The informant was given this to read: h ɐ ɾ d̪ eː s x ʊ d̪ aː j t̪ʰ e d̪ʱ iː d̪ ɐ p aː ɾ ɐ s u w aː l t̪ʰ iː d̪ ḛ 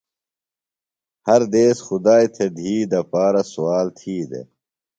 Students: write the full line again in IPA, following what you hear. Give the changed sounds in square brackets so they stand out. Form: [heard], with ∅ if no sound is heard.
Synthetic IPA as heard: h ɐ ɾ d̪ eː s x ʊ d̪ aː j t̪ʰ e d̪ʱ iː d̪ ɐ p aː ɾ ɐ s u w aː l t̪ʰ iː d̪ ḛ